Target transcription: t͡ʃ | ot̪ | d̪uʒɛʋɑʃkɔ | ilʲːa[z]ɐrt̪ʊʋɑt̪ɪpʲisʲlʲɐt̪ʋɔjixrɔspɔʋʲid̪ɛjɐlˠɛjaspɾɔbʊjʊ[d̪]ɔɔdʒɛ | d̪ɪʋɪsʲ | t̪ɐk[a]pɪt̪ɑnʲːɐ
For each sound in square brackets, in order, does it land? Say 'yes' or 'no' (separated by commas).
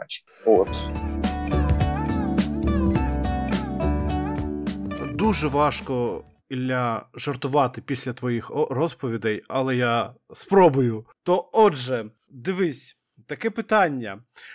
no, no, no